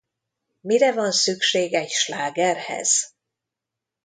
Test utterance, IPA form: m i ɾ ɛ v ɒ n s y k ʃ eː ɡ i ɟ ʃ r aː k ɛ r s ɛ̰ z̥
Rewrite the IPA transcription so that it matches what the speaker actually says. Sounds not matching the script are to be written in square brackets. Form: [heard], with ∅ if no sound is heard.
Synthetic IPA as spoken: m i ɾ ɛ v ɒ n s y k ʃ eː ɡ [ɛ] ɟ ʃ [l] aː [ɡ] ɛ r [h] ɛ̰ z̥